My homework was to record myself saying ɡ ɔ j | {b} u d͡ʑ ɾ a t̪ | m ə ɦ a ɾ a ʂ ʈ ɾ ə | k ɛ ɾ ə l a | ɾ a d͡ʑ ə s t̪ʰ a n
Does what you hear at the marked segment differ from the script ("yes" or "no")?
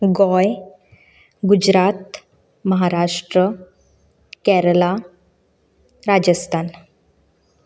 yes